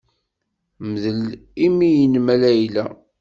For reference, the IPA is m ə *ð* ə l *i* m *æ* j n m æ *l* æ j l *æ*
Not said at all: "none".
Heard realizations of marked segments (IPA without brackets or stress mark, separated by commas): ð, i, i, l, æ